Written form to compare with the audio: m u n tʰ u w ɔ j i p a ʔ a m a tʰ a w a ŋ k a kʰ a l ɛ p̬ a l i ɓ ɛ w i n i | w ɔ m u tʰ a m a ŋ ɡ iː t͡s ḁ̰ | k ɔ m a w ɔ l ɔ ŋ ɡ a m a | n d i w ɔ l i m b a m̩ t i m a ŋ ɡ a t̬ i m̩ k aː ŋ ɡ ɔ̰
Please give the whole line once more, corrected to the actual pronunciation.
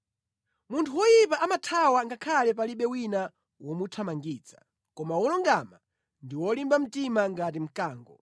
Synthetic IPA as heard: m u n tʰ u w ɔ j i p a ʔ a m a tʰ a w a ŋ ɡ a kʰ a l ɛ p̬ a l i ɓ ɛ w i n a | w ɔ m u tʰ a m a ŋ ɡ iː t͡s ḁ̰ | k ɔ m a w ɔ l ɔ ŋ ɡ a m a | n d i w ɔ l i m b a m̩ t i m a ŋ ɡ a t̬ i m̩ k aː ŋ ɡ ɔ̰